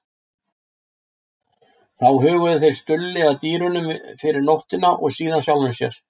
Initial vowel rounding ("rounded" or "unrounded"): unrounded